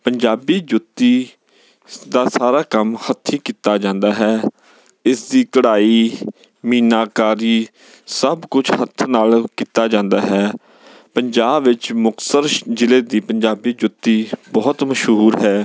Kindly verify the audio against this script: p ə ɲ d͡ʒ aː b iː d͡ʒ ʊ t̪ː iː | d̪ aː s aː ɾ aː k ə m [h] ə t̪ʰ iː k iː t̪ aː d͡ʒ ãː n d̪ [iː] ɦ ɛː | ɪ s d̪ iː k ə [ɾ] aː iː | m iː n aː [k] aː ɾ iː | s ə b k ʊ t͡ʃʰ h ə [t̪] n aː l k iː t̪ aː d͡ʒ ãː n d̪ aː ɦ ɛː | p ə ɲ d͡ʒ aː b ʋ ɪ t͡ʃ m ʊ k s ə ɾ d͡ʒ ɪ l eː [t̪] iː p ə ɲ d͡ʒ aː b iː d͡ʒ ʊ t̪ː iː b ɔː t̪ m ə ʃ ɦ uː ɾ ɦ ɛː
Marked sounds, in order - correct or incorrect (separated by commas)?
correct, incorrect, incorrect, correct, incorrect, incorrect